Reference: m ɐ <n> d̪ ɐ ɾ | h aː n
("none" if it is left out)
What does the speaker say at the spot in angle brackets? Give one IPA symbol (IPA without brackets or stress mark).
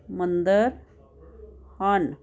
n